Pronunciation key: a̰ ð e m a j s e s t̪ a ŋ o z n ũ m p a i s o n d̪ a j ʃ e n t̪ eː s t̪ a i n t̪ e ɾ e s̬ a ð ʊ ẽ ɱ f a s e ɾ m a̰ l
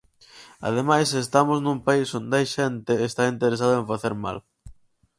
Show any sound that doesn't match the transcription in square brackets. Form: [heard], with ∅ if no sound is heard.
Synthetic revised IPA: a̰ ð e m a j s e s t̪ a [m] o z n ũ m p a i s o n d̪ a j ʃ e n t̪ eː s t̪ a i n t̪ e ɾ e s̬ a ð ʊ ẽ ɱ f a [θ] e ɾ m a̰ l